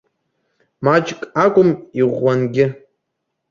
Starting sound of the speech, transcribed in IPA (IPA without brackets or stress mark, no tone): m